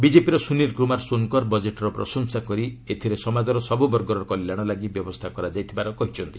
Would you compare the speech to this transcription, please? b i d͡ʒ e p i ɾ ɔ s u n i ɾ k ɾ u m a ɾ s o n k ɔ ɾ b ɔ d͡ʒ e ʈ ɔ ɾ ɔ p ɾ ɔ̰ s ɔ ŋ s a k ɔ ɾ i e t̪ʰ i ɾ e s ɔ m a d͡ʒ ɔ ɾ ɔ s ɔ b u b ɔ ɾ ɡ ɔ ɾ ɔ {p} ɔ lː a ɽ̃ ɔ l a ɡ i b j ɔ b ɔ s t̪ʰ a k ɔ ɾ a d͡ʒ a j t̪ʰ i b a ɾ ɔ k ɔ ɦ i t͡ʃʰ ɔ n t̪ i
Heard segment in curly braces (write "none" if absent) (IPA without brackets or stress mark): k